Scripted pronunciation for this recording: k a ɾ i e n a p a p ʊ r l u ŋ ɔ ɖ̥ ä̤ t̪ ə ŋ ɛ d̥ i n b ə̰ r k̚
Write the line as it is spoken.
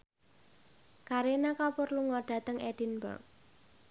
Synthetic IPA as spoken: k a ɾ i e n a k a p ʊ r l u ŋ ɔ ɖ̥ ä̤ t̪ ə ŋ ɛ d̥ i n b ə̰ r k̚